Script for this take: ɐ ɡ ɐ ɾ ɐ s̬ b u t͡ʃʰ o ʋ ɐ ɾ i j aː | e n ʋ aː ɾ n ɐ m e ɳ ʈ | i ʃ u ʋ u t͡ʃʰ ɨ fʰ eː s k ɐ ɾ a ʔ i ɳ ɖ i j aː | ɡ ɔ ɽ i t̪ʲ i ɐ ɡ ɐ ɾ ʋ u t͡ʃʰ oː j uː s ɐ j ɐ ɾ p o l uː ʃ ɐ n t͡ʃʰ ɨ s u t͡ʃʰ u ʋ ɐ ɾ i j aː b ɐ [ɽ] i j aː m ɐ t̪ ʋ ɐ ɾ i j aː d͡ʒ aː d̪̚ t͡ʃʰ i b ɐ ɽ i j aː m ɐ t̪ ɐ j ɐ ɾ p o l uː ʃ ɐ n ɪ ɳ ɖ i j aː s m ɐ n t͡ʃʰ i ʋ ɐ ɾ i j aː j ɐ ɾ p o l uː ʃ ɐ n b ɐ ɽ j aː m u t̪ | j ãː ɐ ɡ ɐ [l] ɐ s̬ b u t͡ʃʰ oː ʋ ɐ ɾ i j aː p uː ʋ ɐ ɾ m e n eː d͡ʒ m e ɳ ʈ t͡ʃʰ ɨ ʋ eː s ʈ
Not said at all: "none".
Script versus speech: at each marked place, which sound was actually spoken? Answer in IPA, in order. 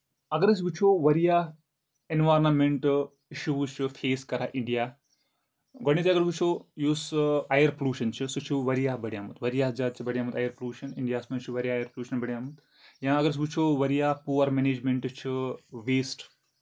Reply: ɽ, ɾ

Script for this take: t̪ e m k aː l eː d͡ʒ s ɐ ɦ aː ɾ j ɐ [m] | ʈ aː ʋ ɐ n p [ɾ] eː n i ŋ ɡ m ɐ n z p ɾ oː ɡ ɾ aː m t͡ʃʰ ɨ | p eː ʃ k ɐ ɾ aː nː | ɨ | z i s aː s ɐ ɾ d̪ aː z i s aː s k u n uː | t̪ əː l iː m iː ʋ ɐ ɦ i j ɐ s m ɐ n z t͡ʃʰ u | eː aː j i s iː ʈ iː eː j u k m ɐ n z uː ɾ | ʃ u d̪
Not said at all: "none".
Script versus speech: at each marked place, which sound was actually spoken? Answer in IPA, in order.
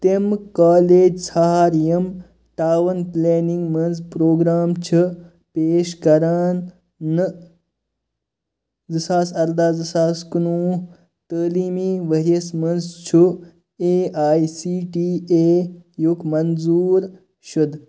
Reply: m, l

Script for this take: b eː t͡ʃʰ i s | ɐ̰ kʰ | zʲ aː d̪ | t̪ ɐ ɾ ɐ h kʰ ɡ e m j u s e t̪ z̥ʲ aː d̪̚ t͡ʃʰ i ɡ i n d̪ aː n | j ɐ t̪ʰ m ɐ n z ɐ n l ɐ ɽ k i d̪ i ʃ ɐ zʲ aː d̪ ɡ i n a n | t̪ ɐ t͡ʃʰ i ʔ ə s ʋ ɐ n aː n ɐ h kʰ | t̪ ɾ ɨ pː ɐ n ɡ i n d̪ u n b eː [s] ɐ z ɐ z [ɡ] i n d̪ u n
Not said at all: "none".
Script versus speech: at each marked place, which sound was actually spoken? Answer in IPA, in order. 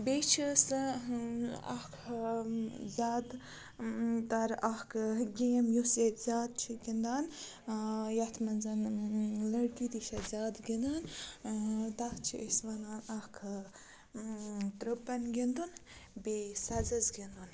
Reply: s, ɡ

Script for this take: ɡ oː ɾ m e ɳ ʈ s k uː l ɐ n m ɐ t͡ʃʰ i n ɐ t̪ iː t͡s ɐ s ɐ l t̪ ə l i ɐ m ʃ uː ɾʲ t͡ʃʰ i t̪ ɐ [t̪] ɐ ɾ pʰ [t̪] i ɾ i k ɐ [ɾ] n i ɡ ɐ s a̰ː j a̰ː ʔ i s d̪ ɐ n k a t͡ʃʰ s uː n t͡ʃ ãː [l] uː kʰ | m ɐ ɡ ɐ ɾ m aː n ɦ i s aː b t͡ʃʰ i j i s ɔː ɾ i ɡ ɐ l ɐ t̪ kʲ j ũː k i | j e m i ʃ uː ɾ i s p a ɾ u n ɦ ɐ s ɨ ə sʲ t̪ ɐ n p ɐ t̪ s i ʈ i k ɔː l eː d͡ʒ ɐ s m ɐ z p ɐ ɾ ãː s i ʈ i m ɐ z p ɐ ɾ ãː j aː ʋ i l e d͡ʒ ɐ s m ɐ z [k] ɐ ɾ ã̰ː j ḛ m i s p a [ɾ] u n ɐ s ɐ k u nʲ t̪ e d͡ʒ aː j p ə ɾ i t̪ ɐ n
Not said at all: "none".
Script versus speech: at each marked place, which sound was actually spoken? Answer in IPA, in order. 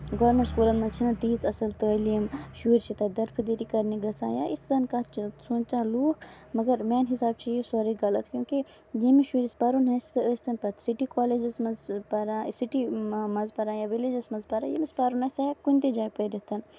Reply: d̪, d̪, ɾ, l, p, ɾ

